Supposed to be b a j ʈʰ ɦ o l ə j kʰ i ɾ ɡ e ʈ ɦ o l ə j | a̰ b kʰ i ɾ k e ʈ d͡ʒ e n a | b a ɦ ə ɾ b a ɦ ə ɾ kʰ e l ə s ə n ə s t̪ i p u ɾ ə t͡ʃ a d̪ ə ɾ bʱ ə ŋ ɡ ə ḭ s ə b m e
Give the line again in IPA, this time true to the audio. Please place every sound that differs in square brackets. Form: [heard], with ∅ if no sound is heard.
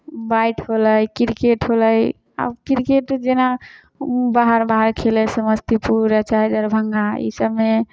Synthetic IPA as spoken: b a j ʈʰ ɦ o l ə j [k] i ɾ [k] e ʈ ɦ o l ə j | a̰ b [k] i ɾ k e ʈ d͡ʒ e n a | b a ɦ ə ɾ b a ɦ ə ɾ kʰ e l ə s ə [m] ə s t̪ i p u ɾ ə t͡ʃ a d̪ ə ɾ bʱ ə ŋ ɡ [a] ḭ s ə b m e